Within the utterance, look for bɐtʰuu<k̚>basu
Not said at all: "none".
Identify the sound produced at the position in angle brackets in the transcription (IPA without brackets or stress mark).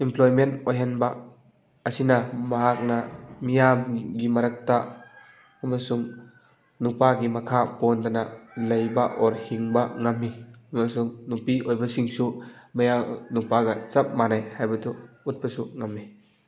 t̚